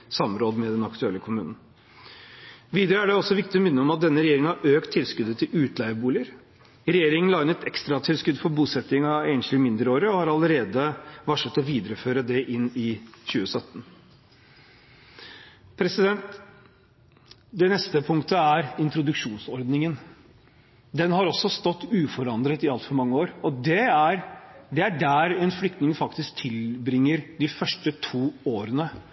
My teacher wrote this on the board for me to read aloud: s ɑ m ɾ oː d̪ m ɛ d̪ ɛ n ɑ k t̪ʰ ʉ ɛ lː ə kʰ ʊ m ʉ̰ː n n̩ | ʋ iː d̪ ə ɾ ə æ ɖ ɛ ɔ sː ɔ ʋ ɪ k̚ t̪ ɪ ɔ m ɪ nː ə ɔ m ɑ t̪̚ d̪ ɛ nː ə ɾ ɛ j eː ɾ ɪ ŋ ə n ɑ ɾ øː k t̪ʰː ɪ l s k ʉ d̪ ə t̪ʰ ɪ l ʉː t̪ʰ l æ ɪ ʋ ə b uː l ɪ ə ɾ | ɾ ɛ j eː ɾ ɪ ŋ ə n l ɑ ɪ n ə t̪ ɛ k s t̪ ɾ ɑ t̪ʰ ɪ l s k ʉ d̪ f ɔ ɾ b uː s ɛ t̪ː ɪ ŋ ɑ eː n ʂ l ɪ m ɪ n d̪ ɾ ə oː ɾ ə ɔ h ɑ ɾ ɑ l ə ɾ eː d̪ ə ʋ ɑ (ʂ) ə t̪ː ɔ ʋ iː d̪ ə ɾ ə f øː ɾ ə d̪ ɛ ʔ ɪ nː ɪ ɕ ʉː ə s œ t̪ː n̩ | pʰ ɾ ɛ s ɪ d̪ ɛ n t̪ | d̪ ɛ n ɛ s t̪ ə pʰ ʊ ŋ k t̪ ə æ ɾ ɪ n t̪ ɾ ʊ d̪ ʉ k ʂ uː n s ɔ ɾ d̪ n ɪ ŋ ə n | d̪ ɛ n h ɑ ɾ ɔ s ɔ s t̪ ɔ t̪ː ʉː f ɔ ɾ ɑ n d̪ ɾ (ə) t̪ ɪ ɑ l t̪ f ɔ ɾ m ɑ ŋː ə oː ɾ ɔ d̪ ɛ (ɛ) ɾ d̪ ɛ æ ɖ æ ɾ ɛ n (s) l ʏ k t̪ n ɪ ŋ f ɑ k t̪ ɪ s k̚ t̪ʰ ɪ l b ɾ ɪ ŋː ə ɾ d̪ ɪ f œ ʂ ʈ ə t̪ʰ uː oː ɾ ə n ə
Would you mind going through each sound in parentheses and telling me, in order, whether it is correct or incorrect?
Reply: correct, correct, incorrect: æ, incorrect: f

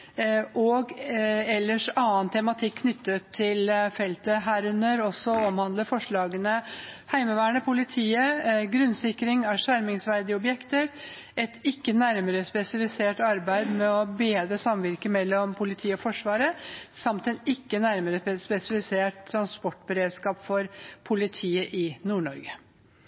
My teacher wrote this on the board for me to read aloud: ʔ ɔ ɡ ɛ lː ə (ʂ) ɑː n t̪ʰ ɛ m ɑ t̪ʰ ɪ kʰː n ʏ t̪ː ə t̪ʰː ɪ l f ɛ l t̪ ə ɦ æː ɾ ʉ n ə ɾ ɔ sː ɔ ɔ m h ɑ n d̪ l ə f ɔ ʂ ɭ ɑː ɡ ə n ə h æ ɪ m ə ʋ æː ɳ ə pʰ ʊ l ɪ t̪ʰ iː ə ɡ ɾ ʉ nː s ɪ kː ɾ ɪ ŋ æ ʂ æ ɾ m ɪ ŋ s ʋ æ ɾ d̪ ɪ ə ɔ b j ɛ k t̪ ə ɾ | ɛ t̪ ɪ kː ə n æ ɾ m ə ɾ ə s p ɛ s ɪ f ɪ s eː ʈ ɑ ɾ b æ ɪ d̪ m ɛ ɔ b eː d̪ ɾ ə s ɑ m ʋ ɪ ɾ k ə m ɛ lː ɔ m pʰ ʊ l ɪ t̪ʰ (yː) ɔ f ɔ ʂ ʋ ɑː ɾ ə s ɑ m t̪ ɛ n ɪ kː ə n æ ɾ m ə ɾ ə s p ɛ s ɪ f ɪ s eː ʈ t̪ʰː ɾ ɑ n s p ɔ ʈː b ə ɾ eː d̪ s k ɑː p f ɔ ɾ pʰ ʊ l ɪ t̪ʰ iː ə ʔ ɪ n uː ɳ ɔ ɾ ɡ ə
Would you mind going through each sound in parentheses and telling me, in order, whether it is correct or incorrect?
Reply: correct, incorrect: iː

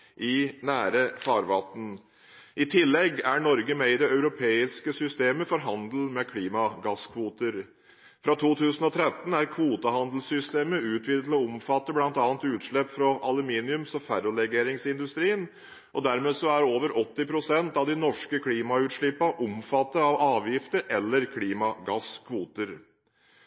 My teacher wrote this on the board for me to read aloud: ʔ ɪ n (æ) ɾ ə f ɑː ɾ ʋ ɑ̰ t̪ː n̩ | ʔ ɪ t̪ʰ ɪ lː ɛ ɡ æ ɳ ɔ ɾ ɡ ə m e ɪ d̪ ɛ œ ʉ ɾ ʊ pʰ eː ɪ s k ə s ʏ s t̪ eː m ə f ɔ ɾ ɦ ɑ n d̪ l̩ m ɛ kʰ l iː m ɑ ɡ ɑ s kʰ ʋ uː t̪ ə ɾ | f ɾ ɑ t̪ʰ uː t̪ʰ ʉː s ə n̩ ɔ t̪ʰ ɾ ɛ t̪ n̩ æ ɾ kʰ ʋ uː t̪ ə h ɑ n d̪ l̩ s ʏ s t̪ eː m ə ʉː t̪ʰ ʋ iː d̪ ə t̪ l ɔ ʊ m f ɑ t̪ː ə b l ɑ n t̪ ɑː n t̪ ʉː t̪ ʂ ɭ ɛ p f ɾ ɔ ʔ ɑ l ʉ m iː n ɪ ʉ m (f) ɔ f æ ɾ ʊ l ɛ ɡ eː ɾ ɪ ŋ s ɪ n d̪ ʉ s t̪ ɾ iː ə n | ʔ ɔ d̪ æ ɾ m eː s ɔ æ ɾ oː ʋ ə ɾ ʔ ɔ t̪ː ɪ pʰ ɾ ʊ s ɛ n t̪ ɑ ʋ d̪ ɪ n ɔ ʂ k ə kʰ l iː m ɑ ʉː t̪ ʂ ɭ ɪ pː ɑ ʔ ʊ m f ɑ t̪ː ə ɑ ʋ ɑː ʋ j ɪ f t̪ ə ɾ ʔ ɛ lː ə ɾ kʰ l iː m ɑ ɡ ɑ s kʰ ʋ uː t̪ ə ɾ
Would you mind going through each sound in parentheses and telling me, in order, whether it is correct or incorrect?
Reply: incorrect: æː, incorrect: s

